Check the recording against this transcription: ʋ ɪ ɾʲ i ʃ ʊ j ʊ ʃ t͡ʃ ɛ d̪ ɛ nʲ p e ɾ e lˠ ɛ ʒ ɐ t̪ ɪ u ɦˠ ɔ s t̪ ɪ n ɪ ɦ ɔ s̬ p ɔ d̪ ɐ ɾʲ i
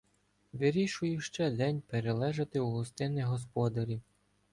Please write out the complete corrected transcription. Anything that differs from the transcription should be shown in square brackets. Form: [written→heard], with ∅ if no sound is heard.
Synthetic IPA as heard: ʋ ɪ ɾʲ i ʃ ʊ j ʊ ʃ t͡ʃ ɛ d̪ ɛ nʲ p e ɾ e lˠ ɛ ʒ ɐ t̪ ɪ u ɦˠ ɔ s t̪ ɪ n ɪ ɦ ɔ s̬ p ɔ d̪ ɐ ɾʲ i